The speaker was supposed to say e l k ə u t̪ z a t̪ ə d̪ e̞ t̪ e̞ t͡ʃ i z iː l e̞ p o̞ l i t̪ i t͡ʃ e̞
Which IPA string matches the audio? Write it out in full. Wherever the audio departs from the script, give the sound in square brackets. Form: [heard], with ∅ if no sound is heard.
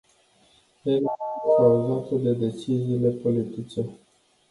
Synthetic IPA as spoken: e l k [a] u [∅] z a t̪ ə d̪ e̞ [d̪] e̞ t͡ʃ i z iː l e̞ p o̞ l i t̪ i t͡ʃ e̞